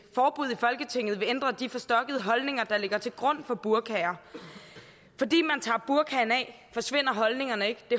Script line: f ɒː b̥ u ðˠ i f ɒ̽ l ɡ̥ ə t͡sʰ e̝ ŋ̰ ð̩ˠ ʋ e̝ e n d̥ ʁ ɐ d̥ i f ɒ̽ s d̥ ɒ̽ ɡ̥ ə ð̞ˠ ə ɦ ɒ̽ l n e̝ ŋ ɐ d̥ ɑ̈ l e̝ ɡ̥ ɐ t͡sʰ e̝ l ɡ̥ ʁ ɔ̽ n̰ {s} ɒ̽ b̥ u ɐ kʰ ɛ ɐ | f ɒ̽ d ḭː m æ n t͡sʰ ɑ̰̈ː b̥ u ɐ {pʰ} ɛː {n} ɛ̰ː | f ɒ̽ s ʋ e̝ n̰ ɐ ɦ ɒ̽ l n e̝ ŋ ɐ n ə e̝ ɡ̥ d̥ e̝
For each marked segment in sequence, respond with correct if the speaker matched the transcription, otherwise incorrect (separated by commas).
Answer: incorrect, incorrect, correct